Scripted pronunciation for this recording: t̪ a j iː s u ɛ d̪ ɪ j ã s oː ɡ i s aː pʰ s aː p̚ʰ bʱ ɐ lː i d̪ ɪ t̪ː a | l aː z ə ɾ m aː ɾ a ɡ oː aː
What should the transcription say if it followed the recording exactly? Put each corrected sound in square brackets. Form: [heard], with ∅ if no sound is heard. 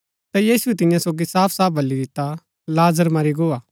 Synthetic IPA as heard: t̪ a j iː s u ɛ [t̪] ɪ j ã s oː ɡ i s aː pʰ s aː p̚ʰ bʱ ɐ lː i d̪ ɪ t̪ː a | l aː z ə ɾ m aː ɾ [i] ɡ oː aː